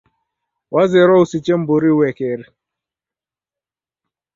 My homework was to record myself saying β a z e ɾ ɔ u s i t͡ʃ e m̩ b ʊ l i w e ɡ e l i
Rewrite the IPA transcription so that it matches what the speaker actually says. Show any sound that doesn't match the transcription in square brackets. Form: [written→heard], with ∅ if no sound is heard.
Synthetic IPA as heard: [β→w] a z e ɾ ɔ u s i t͡ʃ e m̩ b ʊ [l→ɾ] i w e [ɡ→k] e [l→ɾ] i